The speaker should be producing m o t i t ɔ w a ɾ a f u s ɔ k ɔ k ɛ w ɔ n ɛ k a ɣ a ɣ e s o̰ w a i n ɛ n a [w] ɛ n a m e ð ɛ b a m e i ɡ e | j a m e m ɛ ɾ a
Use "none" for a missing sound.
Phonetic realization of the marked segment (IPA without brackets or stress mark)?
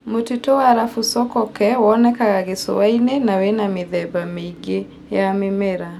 w